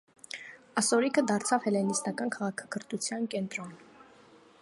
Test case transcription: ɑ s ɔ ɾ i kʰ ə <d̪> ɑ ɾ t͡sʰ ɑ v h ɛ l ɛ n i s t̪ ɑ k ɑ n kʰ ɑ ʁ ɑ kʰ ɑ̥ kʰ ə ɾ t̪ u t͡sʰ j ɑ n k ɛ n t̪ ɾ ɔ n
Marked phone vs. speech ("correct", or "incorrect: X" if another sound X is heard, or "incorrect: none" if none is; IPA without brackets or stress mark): correct